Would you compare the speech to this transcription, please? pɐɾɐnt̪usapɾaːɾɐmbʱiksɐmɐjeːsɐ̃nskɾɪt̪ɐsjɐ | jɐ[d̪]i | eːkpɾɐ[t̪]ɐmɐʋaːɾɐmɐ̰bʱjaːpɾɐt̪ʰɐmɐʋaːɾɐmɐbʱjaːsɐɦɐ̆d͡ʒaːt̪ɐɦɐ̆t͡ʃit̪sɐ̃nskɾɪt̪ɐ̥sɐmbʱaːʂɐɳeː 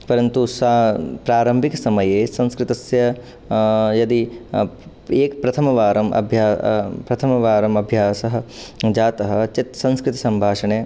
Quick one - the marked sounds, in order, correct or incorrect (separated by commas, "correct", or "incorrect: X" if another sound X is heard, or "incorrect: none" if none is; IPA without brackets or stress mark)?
correct, incorrect: t̪ʰ